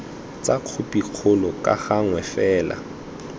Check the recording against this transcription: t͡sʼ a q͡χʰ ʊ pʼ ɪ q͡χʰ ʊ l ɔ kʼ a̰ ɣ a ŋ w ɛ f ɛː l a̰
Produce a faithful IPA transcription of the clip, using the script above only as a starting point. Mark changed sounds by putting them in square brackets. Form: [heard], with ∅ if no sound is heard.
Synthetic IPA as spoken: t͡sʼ a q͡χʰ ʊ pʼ [i] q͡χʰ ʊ l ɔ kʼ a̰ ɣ a ŋ w ɛ f ɛː l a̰